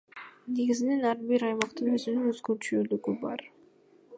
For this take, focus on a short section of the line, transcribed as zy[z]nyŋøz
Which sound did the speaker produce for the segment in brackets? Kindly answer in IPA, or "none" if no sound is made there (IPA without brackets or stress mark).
none